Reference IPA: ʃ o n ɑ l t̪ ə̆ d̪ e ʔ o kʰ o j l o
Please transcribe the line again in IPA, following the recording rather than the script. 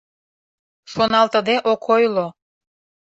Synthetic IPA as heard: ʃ o n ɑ l t̪ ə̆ d̪ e ʔ o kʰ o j l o